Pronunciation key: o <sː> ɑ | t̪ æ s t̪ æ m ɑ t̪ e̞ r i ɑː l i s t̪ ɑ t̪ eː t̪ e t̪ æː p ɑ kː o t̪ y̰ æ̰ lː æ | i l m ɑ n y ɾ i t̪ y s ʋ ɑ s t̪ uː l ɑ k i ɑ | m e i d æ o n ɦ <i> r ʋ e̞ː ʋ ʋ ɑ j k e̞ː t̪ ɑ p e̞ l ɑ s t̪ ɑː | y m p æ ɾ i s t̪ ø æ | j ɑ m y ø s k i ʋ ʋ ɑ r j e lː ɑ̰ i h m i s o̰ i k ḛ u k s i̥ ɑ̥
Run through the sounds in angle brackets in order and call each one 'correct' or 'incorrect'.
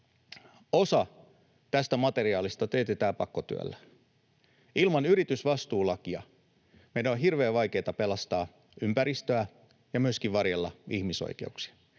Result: incorrect: s, correct

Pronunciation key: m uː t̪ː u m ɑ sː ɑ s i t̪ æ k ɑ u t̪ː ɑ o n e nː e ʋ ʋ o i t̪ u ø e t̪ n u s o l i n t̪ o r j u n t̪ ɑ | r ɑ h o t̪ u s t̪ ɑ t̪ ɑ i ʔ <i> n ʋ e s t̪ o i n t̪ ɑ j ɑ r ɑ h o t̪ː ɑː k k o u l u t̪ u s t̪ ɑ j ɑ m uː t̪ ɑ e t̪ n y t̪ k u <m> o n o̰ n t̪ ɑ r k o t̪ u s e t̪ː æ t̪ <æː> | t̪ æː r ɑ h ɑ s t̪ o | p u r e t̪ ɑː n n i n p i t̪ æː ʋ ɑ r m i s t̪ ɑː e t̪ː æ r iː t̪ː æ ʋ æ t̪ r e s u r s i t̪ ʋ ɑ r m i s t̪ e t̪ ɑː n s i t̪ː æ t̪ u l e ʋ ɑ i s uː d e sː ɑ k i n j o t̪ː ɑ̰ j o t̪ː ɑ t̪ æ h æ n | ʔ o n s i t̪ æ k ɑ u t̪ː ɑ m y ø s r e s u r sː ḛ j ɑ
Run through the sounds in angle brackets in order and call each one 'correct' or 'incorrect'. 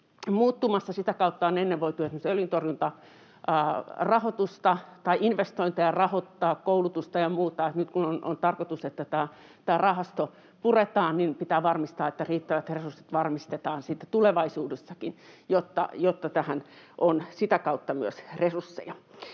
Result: correct, incorrect: n, correct

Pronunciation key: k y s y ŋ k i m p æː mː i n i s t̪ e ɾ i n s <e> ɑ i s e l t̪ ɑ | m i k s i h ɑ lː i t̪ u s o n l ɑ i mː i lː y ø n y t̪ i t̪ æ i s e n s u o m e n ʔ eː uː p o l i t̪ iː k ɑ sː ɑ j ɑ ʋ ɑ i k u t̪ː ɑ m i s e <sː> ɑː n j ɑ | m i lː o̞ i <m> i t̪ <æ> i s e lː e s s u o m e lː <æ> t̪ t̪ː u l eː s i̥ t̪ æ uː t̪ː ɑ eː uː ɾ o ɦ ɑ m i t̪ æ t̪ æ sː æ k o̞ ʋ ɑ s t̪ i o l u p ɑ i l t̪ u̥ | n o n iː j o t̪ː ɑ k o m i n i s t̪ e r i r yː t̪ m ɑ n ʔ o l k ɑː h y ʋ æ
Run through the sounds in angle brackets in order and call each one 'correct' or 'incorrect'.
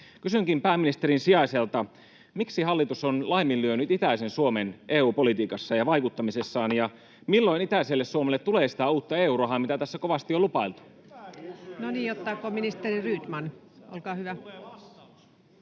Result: incorrect: i, correct, incorrect: n, correct, incorrect: e

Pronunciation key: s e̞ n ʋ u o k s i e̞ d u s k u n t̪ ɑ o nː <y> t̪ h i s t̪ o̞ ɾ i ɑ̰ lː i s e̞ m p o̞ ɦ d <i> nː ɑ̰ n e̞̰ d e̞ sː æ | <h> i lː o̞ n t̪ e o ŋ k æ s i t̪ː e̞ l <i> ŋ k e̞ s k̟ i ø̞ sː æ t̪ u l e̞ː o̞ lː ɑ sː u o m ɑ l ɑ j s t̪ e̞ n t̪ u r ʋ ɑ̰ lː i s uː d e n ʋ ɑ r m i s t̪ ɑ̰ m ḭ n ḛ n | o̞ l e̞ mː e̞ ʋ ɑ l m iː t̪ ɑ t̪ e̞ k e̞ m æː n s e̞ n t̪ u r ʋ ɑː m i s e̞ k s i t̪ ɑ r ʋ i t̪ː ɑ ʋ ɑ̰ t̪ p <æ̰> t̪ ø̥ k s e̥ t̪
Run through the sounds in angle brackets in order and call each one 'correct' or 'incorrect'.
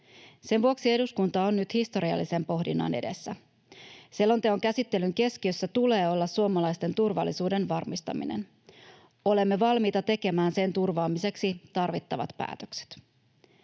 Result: correct, correct, incorrect: s, incorrect: y, incorrect: æ̰ː

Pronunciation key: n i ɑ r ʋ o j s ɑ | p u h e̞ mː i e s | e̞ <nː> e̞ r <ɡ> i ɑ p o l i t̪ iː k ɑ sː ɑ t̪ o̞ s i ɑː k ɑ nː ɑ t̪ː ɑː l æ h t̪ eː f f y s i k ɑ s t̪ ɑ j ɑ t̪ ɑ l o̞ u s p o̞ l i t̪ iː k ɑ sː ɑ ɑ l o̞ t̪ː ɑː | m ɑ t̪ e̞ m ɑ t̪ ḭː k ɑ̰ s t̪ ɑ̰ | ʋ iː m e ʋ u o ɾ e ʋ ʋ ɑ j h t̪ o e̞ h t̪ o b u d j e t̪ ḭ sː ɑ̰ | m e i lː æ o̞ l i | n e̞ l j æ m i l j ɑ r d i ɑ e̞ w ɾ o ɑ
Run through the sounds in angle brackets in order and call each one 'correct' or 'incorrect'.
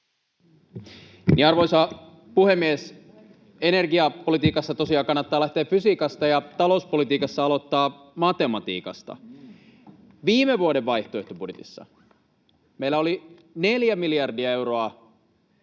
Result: incorrect: n, correct

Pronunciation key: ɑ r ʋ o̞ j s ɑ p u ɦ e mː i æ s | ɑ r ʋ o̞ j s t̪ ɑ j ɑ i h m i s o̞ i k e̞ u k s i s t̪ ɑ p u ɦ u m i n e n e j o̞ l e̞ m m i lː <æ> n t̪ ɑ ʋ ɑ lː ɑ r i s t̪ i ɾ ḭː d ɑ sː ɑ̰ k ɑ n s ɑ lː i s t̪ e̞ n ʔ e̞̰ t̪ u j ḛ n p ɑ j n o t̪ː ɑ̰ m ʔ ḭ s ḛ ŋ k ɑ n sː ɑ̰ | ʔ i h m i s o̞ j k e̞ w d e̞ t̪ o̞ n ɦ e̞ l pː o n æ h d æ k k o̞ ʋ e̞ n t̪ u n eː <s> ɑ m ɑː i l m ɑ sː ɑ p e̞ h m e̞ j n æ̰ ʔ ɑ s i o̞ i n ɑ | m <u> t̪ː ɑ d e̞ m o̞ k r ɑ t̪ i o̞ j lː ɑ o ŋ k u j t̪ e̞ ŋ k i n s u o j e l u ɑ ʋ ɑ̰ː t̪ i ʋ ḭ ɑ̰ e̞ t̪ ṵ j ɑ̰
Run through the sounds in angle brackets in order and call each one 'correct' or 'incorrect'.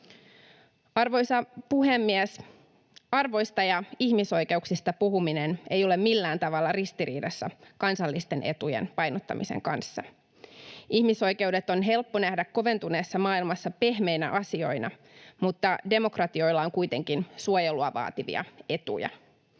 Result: incorrect: æː, incorrect: sː, correct

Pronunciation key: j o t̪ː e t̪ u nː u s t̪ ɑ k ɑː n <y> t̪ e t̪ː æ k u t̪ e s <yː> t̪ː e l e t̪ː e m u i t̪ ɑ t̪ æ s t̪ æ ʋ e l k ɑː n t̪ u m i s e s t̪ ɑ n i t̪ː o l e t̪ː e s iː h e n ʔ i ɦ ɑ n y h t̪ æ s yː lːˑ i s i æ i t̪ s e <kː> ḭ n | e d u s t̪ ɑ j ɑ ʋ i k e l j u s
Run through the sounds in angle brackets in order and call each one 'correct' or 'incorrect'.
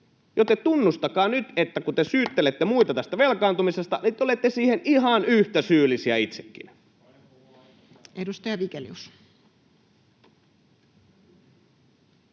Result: correct, correct, correct

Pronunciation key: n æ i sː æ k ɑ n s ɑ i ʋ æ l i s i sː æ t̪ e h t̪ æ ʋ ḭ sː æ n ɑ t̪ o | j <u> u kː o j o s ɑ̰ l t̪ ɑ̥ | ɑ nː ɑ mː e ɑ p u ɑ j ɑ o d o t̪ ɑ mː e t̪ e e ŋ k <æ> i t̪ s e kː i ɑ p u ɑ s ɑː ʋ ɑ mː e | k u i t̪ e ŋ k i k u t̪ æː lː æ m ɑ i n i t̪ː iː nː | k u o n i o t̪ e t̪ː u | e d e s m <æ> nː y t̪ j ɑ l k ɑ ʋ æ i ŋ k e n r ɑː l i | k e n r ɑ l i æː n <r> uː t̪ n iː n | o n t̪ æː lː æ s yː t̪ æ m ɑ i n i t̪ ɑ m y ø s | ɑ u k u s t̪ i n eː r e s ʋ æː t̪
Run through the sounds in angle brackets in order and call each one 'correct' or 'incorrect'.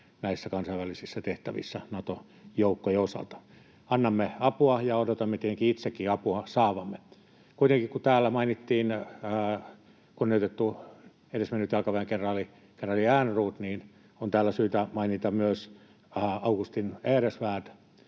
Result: incorrect: o, incorrect: i, incorrect: e, correct

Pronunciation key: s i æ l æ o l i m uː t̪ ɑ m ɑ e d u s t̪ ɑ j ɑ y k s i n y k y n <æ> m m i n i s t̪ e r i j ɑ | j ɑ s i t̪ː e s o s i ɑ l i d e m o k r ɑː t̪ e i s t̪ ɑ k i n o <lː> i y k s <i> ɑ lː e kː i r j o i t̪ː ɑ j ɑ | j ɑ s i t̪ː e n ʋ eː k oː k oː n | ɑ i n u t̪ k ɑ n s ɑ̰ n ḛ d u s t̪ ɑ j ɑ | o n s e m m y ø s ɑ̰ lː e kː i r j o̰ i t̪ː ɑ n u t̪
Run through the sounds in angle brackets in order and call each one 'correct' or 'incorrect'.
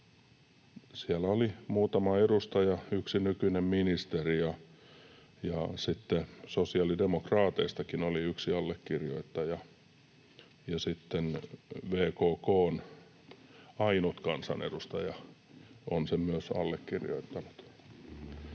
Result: incorrect: e, incorrect: l, correct

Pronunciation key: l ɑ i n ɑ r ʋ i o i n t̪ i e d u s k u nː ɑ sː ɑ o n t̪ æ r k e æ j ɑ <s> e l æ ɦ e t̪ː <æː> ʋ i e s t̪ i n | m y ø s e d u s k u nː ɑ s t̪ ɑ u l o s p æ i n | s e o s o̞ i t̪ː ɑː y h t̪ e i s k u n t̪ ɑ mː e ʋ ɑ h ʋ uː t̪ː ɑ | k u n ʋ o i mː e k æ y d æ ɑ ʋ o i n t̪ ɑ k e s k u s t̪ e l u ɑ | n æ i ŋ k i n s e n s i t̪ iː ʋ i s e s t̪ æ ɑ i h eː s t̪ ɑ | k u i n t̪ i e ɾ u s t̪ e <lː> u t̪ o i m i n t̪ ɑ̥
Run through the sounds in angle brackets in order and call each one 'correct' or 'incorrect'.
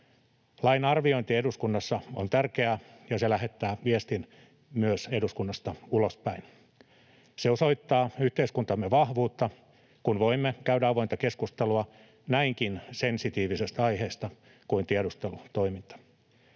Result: correct, correct, incorrect: l

